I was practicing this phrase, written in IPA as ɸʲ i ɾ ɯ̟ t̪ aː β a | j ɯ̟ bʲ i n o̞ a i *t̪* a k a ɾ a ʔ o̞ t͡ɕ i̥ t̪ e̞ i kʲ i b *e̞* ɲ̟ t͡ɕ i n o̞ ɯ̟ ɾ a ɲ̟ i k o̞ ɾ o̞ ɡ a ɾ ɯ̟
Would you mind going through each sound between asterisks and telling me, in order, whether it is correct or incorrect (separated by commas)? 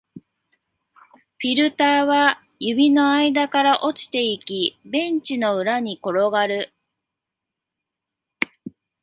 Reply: incorrect, incorrect